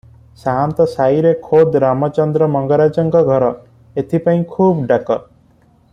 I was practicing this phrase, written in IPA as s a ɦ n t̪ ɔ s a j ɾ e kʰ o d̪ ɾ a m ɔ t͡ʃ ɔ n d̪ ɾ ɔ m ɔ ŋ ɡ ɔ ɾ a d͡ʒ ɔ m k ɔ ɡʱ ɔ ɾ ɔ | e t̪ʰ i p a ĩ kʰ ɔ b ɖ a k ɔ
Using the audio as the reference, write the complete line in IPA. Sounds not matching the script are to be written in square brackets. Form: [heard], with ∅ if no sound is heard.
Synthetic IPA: s a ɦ n t̪ ɔ s a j ɾ e kʰ o d̪ ɾ a m ɔ t͡ʃ ɔ n d̪ ɾ ɔ m ɔ ŋ ɡ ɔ ɾ a d͡ʒ ɔ [ŋ] k ɔ ɡʱ ɔ ɾ ɔ | e t̪ʰ i p a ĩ kʰ [u] b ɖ a k ɔ